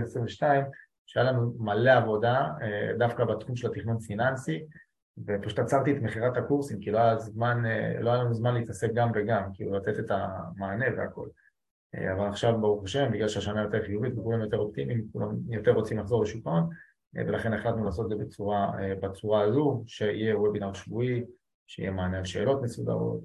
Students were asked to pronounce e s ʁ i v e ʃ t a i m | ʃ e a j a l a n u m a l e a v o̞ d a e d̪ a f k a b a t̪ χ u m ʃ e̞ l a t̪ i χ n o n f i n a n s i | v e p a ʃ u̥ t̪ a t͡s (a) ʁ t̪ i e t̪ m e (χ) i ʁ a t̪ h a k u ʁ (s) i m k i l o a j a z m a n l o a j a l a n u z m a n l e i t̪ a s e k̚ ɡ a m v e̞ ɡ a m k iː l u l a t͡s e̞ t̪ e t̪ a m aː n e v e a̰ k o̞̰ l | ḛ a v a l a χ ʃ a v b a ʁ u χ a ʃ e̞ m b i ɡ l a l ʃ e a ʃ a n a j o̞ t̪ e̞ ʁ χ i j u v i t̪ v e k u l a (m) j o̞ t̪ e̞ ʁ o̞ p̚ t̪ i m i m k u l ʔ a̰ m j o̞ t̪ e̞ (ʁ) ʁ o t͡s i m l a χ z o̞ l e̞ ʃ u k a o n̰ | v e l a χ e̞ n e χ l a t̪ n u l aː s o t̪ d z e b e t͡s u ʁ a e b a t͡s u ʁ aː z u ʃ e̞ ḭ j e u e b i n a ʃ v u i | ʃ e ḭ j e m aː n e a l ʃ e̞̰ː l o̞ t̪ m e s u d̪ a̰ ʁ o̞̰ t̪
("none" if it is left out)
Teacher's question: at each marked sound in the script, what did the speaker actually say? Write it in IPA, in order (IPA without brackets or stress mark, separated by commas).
a, χ, s, m, ʁ